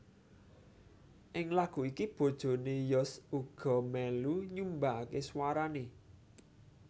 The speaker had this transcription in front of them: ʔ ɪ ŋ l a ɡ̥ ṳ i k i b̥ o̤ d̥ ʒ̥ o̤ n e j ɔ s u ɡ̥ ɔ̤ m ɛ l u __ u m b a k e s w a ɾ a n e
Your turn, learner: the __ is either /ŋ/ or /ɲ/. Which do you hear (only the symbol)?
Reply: ɲ